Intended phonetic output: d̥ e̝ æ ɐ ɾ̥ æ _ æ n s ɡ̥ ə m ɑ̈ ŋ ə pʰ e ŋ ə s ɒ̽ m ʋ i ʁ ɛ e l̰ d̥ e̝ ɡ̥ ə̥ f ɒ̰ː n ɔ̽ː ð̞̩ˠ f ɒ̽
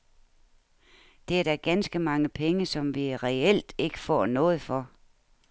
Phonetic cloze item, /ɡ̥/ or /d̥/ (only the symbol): ɡ̥